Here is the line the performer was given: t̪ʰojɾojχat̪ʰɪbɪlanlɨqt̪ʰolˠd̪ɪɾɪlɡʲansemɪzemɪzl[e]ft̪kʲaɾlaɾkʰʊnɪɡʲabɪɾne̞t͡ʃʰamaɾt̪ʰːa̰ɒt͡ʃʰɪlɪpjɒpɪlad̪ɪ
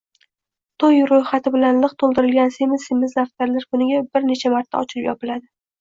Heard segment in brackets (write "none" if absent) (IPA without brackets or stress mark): a